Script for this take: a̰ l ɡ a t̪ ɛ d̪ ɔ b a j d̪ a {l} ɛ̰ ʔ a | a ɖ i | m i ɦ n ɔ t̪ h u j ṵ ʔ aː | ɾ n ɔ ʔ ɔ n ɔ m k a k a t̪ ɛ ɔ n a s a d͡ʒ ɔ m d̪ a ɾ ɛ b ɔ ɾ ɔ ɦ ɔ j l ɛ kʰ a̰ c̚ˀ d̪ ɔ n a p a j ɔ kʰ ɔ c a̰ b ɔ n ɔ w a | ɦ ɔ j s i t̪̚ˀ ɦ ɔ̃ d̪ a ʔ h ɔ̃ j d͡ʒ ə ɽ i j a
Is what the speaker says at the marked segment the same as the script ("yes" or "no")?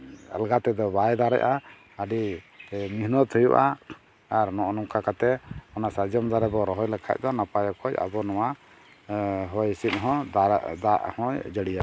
no